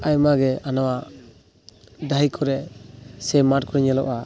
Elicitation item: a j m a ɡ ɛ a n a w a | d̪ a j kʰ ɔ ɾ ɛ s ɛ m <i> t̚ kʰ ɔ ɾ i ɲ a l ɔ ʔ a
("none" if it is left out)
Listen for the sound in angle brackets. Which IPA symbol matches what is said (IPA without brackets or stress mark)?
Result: a